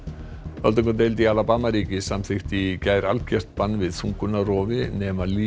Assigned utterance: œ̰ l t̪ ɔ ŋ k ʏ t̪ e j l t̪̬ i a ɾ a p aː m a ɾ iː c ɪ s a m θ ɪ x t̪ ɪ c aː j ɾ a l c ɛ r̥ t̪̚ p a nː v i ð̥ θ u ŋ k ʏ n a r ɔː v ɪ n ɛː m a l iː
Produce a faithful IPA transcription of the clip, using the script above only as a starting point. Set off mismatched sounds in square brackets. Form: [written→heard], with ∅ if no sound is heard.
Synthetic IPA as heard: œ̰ l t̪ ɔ ŋ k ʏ t̪ e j l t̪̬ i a [ɾ→l] a p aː m a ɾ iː c ɪ s a m θ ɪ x t̪ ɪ c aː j ɾ a l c ɛ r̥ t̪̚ p a nː v [i→ɪ] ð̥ θ u ŋ k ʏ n a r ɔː v ɪ n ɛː m a l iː